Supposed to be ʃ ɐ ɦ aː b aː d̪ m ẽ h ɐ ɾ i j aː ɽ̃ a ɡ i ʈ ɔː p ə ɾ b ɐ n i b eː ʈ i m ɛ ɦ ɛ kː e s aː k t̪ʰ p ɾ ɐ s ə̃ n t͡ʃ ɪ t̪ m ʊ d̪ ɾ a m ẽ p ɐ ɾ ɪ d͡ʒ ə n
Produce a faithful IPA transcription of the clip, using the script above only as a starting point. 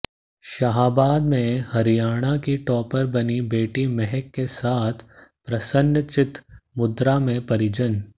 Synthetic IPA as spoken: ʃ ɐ ɦ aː b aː d̪ m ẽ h ɐ ɾ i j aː ɽ̃ a k i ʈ ɔː p ə ɾ b ɐ n i b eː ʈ i m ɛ ɦ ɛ kː e s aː t̪ʰ p ɾ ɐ s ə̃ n t͡ʃ ɪ t̪ m ʊ d̪ ɾ a m ẽ p ɐ ɾ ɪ d͡ʒ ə n

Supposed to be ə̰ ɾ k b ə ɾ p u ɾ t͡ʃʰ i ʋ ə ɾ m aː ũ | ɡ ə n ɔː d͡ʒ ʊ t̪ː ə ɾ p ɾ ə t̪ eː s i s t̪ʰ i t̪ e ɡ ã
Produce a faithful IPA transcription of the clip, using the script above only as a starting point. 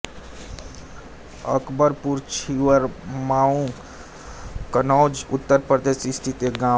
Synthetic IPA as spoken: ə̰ k b ə ɾ p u ɾ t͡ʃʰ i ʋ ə ɾ m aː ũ | k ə n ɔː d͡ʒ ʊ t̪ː ə ɾ p ɾ ə d̪ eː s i s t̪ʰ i t̪ e ɡ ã

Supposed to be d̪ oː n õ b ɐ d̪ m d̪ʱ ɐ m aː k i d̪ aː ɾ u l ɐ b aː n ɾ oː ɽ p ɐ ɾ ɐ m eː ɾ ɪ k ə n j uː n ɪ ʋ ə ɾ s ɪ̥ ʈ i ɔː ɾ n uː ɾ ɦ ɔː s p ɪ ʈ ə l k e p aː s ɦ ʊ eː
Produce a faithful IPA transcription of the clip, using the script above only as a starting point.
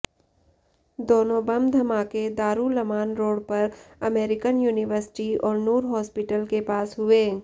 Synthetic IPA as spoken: d̪ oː n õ b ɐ m d̪ʱ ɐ m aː k e d̪ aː ɾ u l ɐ m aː n ɾ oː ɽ p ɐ ɾ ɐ m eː ɾ ɪ k ə n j uː n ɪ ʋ ə ɾ s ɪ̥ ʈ i ɔː ɾ n uː ɾ ɦ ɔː s p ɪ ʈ ə l k e p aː s ɦ ʊ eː

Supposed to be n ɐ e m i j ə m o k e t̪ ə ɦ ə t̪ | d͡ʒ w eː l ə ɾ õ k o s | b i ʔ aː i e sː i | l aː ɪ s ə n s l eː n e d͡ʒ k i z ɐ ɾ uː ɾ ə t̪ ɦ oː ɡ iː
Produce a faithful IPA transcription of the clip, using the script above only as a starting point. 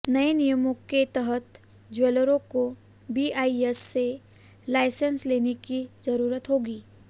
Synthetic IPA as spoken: n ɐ e n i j ə m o k e t̪ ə ɦ ə t̪ | d͡ʒ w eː l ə ɾ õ k o | b i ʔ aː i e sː e | l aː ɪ s ə n s l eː n e k i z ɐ ɾ uː ɾ ə t̪ ɦ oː ɡ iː

